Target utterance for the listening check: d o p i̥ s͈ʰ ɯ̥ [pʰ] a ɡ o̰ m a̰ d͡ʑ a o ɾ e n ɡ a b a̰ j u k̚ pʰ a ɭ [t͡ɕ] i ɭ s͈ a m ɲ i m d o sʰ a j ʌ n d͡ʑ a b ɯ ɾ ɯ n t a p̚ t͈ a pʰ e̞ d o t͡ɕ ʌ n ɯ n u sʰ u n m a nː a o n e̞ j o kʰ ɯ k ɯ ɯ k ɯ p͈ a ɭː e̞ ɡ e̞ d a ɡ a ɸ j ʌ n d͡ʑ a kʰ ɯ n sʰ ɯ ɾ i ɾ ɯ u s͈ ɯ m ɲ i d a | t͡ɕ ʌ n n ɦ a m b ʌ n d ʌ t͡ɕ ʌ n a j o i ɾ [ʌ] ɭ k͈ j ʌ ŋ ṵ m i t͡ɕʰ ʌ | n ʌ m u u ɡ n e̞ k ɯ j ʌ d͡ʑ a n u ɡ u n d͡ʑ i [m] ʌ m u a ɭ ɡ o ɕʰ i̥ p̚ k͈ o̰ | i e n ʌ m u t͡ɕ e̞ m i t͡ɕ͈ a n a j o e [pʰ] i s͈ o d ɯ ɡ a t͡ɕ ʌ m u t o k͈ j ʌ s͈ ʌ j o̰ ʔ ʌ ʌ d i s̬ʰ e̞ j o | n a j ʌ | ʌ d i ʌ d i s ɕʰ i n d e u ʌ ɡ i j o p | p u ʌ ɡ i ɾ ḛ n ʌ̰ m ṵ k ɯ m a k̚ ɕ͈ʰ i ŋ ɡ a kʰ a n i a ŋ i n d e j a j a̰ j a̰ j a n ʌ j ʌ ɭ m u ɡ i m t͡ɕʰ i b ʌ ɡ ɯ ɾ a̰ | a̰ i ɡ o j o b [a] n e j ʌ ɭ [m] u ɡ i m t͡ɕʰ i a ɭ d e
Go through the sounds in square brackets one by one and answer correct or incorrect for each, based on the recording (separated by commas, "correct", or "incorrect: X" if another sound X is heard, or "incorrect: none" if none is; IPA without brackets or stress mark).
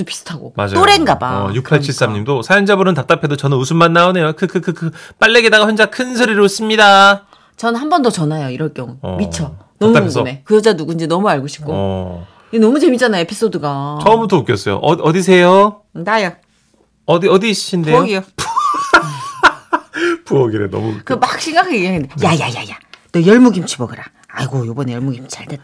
incorrect: tʰ, incorrect: t͡ɕʰ, correct, incorrect: n, correct, incorrect: ʌ, correct